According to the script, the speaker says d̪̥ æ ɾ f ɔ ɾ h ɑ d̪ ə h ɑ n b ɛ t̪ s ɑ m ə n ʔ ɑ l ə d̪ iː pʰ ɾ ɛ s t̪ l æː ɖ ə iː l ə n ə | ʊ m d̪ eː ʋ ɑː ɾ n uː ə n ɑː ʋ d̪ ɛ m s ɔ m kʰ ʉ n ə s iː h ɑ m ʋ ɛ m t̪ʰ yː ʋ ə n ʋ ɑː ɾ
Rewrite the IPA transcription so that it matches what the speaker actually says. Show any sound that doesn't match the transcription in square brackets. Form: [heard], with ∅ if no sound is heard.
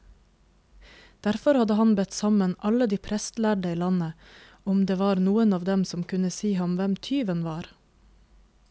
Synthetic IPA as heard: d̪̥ æ ɾ f ɔ ɾ h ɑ d̪ ə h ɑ n b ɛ t̪ s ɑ m ə n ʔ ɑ l ə d̪ iː pʰ ɾ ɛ s t̪ l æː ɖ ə iː l [ɑ] n ə | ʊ m d̪ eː ʋ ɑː ɾ n uː ə n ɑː ʋ d̪ ɛ m s ɔ m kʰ ʉ n ə s iː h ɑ m ʋ ɛ m t̪ʰ yː ʋ ə n ʋ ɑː ɾ